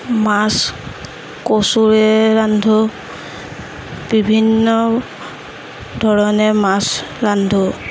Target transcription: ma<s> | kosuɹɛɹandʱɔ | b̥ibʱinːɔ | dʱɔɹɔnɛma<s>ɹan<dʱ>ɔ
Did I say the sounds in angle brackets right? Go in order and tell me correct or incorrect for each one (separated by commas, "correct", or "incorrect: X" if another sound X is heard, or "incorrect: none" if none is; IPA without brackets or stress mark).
correct, correct, correct